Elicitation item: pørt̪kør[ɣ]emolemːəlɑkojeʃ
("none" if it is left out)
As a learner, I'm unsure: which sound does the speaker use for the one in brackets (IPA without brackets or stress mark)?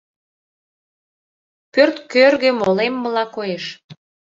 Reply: ɣ